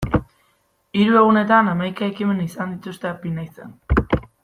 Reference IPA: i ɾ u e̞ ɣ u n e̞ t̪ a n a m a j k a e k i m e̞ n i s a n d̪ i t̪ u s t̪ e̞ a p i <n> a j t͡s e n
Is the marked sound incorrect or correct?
correct